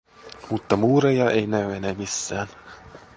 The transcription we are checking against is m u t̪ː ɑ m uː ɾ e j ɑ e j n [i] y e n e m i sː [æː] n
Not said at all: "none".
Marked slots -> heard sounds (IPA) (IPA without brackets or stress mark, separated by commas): æ, æː